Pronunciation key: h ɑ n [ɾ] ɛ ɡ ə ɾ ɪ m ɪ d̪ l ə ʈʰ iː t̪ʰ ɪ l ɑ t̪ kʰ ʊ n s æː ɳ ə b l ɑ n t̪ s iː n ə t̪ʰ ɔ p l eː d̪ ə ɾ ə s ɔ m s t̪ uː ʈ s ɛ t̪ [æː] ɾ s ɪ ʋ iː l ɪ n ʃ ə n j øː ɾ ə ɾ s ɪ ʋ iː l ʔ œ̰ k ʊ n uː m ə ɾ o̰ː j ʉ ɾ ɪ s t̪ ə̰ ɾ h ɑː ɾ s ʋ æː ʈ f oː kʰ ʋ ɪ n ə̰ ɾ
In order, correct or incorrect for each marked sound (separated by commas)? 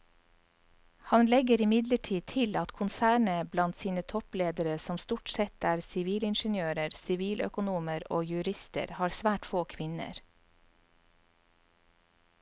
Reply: incorrect, correct